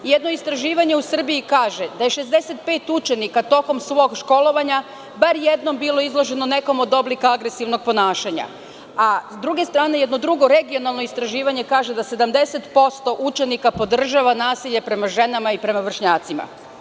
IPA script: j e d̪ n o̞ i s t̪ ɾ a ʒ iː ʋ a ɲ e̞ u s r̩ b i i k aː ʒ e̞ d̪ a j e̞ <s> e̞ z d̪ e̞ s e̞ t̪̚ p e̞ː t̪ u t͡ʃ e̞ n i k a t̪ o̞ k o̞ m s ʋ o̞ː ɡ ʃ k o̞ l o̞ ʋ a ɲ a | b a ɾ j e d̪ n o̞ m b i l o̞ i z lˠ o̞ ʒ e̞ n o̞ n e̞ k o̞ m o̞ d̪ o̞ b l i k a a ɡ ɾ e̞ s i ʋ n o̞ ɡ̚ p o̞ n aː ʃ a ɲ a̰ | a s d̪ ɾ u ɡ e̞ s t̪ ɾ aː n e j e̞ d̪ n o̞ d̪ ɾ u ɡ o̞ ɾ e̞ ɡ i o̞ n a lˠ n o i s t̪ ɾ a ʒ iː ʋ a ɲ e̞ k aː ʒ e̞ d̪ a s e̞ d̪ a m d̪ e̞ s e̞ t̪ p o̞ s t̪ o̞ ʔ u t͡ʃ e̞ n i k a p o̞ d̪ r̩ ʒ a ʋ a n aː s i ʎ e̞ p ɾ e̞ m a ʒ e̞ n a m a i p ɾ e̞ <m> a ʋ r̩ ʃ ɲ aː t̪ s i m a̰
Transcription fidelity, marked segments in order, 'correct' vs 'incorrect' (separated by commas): incorrect, correct